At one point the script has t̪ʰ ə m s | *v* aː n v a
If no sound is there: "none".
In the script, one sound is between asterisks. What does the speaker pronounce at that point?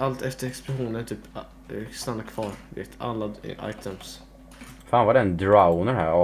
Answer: f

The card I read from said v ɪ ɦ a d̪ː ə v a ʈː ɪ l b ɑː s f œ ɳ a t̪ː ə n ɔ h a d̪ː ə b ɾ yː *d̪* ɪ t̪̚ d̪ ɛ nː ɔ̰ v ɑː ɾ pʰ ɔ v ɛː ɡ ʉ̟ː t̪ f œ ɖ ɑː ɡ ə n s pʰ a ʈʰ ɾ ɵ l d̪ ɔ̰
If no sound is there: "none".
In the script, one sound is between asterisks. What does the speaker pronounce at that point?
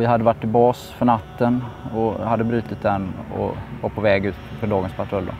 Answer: t̪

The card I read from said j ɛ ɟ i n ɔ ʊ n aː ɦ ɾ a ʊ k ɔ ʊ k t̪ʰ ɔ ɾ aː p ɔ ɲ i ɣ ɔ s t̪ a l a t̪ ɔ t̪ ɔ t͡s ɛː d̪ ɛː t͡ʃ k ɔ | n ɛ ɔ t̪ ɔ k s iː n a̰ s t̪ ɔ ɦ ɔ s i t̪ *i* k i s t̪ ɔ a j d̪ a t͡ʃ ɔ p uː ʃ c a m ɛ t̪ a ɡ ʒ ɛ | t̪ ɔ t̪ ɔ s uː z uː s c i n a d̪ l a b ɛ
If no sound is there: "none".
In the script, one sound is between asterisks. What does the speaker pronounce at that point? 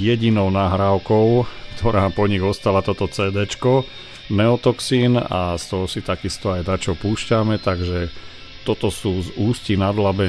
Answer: a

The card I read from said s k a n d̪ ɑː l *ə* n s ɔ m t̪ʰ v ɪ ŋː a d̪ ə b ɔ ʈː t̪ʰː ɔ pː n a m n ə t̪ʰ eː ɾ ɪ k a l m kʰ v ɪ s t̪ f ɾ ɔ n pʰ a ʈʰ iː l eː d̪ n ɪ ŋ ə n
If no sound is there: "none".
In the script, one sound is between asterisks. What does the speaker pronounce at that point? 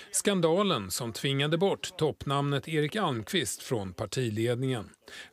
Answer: ə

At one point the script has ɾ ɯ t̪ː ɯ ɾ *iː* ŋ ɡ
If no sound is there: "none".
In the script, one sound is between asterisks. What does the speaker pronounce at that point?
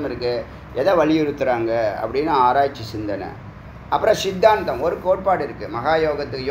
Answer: aː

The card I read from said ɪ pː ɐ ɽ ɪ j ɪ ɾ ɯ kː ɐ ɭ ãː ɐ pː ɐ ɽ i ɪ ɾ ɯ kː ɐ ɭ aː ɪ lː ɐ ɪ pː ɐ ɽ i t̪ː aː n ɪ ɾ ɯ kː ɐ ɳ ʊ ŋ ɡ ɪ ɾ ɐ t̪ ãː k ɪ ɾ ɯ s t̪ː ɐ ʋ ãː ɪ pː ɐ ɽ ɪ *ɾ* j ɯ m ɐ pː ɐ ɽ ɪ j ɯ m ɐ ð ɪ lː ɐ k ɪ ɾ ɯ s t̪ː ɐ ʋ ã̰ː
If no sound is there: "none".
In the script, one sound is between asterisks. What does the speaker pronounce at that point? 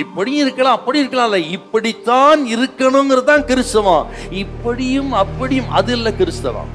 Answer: none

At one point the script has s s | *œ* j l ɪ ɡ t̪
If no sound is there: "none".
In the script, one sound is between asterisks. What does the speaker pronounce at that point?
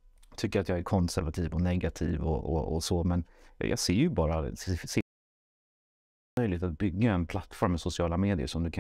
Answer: œ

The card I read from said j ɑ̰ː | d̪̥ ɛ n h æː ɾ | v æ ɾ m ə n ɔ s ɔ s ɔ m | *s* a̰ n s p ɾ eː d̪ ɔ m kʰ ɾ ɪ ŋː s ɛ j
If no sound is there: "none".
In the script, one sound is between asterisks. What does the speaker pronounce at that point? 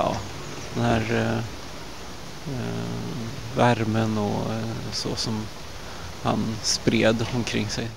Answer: h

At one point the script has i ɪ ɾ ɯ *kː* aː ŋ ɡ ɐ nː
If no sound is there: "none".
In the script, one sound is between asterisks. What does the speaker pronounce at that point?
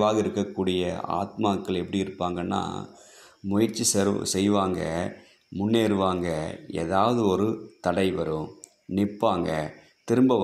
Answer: pː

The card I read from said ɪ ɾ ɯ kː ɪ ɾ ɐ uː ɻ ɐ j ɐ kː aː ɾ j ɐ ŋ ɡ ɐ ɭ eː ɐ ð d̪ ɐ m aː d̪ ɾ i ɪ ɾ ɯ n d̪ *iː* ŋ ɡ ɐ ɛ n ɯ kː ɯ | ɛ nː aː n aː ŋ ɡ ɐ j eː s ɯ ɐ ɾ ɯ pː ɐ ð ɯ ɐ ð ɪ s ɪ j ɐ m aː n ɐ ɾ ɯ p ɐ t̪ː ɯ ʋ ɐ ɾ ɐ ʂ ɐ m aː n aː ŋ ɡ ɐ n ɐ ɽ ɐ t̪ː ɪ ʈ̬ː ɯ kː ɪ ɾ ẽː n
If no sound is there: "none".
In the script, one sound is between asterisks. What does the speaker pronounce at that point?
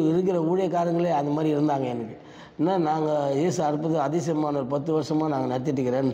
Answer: aː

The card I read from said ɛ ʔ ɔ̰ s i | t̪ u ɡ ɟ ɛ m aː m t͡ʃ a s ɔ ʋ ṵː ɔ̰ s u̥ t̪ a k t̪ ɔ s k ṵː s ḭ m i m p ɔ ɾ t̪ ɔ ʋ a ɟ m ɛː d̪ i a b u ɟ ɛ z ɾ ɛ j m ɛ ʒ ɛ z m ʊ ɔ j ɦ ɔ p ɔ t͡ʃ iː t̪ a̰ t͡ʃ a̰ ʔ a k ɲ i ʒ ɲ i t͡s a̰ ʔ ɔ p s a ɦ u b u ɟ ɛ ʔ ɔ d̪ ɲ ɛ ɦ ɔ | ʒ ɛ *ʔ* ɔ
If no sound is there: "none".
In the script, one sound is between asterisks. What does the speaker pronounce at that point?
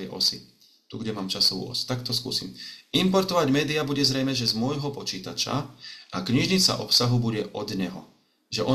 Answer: ʔ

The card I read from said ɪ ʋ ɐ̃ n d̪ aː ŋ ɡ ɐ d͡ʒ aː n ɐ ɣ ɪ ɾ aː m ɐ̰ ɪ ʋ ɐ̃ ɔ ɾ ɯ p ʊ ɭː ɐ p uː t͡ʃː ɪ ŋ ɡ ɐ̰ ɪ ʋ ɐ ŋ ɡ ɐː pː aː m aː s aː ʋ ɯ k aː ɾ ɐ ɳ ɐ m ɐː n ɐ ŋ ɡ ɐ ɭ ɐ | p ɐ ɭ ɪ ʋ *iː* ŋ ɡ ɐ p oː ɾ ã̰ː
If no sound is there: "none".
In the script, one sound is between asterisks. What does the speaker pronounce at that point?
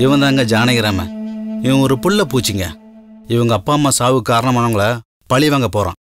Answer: aː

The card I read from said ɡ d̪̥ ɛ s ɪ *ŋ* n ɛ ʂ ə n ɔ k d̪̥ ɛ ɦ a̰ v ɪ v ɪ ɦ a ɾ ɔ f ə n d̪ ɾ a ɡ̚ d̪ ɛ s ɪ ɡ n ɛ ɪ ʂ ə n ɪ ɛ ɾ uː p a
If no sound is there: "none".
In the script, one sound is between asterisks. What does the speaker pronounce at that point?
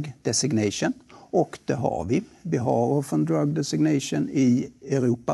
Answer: ɡ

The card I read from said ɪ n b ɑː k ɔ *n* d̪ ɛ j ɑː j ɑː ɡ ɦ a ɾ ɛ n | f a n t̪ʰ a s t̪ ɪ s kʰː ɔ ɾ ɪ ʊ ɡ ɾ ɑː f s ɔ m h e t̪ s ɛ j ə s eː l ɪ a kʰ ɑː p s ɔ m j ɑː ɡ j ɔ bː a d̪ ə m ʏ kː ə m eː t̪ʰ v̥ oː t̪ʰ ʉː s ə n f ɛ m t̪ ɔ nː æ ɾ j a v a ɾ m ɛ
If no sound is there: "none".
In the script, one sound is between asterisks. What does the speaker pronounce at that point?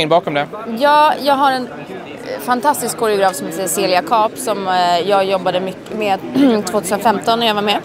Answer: m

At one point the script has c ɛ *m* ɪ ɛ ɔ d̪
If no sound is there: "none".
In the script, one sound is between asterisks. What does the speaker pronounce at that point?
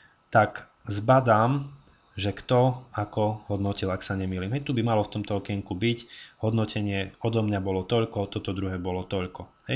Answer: ɲ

